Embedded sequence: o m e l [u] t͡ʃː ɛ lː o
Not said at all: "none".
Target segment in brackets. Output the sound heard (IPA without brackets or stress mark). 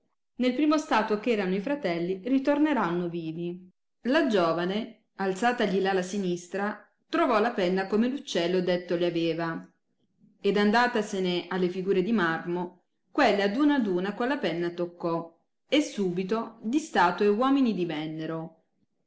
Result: u